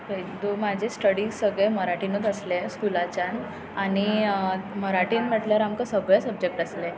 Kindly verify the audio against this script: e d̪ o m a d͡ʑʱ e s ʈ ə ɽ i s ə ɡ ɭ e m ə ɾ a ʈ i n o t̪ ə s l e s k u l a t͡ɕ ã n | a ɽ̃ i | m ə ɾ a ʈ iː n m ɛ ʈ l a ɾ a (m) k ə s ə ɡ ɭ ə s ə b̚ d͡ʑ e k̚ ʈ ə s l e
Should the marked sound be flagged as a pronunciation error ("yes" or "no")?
no